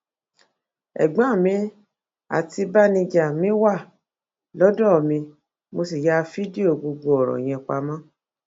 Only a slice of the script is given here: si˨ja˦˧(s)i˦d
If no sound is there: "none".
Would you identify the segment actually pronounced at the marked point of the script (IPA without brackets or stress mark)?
f